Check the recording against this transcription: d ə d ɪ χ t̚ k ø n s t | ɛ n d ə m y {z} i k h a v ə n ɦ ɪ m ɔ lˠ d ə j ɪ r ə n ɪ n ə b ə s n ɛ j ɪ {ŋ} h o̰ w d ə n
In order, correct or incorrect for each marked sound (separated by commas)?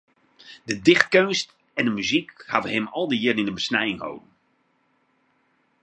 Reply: correct, correct